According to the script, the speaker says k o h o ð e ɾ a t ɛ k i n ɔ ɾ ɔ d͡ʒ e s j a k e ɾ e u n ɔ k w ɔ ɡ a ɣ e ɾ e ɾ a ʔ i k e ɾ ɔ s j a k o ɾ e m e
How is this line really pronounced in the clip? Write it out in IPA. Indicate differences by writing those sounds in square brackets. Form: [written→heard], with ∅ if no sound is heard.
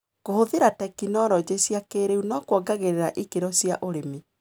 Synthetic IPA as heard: k o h o ð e ɾ a t ɛ k i n ɔ ɾ ɔ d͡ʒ e s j a k e ɾ e u n ɔ k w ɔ ɡ a ɣ e ɾ e ɾ a ʔ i k e ɾ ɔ s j a [k→ʔ] o ɾ e m e